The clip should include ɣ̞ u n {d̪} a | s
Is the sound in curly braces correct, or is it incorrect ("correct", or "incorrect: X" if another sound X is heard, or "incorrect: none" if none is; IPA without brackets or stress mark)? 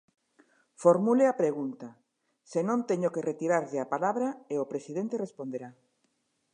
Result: incorrect: t̪